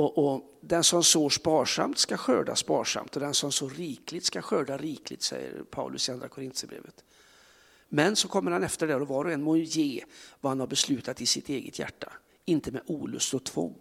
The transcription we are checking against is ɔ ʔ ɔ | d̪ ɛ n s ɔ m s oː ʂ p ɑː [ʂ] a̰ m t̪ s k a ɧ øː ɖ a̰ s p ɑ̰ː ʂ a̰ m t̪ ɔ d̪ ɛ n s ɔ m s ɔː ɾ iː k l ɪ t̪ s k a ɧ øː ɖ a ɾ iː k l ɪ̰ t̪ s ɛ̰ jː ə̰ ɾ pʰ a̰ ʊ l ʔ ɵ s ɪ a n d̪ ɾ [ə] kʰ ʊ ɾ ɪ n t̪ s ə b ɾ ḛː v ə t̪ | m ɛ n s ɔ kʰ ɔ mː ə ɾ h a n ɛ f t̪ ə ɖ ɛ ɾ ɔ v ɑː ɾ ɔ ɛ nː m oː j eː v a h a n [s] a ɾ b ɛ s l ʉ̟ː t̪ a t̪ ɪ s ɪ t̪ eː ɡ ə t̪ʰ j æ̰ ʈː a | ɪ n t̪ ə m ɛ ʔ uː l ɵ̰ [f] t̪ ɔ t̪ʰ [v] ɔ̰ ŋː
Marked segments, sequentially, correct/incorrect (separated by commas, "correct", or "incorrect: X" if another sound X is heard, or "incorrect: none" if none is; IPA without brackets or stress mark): correct, incorrect: a, incorrect: h, incorrect: s, correct